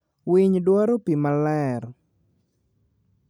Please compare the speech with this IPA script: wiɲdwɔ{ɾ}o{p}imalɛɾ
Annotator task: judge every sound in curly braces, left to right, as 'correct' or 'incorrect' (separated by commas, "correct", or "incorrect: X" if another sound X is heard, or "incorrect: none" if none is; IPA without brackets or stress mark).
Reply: correct, correct